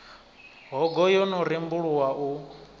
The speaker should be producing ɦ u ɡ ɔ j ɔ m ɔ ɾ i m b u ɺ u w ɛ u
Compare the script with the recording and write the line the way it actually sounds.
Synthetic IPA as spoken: ɦ ɔ ɡ ɔ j ɔ n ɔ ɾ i m b u ɺ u w a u